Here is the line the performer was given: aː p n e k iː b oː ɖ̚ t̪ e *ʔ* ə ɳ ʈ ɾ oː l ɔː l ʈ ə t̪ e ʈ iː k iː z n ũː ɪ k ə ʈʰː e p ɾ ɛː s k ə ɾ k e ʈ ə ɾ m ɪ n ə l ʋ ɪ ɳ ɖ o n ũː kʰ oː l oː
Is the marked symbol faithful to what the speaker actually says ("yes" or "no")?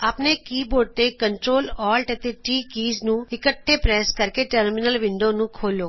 no